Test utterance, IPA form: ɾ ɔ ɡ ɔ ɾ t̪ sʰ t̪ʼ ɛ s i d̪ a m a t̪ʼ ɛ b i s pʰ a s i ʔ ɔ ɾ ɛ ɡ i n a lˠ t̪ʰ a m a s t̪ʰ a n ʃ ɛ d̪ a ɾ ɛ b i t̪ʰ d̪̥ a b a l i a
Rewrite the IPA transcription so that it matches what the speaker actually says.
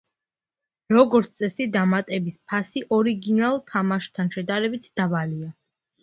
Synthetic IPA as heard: ɾ ɔ ɡ ɔ ɾ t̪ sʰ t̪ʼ ɛ s i d̪ a m a t̪ʼ ɛ b i s pʰ a s i ʔ ɔ ɾ i ɡ i n a lˠ t̪ʰ a m a ʃ t̪ʰ a n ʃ ɛ d̪ a ɾ ɛ b i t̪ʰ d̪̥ a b a l i a